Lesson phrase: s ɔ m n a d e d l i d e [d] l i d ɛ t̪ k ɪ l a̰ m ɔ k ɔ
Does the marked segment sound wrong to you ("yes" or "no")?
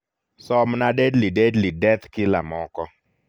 no